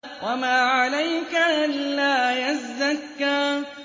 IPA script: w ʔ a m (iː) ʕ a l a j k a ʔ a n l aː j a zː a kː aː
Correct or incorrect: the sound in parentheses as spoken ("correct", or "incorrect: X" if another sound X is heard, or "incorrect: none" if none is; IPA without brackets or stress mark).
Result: incorrect: aː